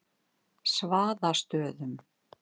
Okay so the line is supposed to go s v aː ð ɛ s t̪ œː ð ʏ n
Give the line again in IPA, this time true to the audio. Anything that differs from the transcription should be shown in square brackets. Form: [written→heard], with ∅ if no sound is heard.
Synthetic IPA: s v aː ð [ɛ→a] s t̪ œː ð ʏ [n→m]